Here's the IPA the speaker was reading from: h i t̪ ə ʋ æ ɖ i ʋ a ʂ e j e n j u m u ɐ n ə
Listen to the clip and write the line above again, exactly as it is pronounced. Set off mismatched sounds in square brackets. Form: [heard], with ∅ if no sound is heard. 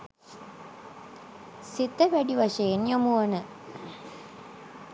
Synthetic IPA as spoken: [s] i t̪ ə ʋ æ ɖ i ʋ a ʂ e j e n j [o] m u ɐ n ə